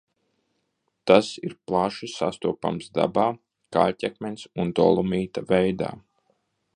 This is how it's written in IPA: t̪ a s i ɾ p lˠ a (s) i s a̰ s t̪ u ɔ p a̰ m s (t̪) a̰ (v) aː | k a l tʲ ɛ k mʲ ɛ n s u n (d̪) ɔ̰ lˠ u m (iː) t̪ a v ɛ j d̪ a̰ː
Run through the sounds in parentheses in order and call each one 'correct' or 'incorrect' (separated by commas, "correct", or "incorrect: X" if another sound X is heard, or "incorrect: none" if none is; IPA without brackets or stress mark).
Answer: incorrect: ʃ, incorrect: d̪, incorrect: b, correct, correct